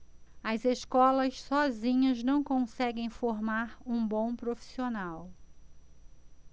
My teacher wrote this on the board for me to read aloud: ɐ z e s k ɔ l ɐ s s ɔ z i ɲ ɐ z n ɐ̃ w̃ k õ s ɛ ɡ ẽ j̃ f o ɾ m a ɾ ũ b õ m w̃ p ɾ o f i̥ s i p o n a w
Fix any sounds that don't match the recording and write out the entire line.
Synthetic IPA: ɐ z e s k ɔ l ɐ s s ɔ z ĩ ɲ ɐ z n ɐ̃ w̃ k õ s ɛ ɡ ẽ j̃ f o ɾ m a ɾ ũ b õ w̃ p ɾ o f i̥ s i o n a w